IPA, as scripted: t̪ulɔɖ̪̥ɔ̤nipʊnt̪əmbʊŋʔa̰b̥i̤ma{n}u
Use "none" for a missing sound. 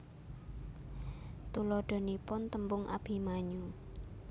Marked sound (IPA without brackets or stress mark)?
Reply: ɲ